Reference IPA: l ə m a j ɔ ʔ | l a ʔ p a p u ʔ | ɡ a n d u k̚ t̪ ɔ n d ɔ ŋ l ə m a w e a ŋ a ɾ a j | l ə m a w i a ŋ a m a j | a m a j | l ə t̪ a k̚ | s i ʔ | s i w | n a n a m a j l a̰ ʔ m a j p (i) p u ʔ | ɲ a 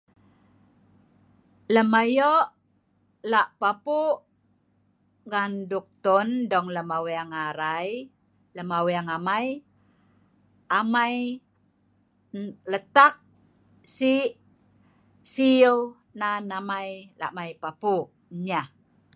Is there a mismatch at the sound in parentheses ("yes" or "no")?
yes